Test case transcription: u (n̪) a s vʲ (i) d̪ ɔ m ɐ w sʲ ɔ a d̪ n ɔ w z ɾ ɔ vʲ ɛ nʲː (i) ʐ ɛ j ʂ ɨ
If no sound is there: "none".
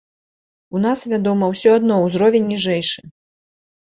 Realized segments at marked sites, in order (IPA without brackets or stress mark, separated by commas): n̪, a, i